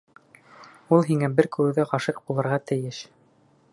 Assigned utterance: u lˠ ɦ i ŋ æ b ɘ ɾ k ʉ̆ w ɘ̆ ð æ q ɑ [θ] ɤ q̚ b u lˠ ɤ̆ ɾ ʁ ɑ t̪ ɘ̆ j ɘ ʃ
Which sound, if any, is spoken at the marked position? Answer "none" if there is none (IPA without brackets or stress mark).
ʃ